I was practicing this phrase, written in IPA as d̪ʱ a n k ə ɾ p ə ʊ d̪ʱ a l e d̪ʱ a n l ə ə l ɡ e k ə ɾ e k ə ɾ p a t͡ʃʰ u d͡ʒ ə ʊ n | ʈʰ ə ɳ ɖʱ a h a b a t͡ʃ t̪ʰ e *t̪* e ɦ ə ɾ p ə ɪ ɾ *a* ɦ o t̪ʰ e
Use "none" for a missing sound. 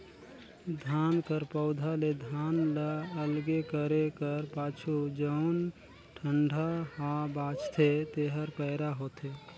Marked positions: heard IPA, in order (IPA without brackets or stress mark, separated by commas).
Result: t̪, a